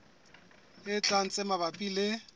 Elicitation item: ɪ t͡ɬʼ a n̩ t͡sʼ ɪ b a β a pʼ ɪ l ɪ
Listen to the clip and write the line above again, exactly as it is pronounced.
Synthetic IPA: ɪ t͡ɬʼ a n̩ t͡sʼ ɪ m a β a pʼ i l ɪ